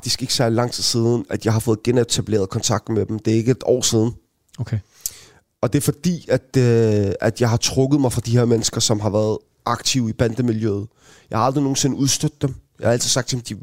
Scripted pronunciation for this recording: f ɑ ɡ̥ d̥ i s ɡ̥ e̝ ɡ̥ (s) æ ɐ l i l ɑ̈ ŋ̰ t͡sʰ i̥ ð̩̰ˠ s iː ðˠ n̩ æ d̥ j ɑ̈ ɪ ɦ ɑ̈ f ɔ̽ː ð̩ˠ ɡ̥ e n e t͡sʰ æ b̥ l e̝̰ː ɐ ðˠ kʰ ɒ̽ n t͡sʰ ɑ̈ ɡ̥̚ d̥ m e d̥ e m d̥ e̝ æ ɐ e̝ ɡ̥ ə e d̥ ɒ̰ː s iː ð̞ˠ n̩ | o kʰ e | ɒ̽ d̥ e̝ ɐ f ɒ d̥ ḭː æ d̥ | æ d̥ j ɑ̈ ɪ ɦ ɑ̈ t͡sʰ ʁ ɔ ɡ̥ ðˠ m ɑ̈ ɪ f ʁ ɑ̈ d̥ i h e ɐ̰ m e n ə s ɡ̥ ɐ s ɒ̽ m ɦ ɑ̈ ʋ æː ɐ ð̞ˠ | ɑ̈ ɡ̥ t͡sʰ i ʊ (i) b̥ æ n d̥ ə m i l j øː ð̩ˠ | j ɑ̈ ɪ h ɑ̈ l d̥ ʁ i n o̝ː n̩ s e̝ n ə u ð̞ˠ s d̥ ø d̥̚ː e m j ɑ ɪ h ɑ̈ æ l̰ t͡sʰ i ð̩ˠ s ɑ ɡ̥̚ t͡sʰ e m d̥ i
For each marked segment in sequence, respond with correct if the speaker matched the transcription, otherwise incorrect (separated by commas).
correct, correct